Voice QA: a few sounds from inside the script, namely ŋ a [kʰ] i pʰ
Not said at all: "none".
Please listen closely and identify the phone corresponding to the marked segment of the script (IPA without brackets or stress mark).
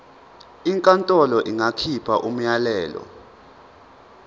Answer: kʰ